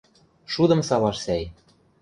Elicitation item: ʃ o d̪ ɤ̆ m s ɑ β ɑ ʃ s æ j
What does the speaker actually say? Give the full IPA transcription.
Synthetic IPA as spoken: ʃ u d̪ ɤ̆ m s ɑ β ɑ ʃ s æ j